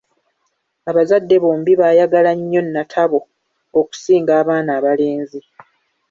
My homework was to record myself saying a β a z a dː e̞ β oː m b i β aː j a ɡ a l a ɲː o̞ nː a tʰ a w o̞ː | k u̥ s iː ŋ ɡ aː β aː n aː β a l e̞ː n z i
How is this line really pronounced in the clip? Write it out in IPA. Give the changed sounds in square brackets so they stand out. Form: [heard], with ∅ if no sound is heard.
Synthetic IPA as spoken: a β a z a dː e̞ β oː m b i β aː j a ɡ a l a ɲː o̞ nː a tʰ a [β] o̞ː | k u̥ s iː ŋ ɡ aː β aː n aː β a l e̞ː n z i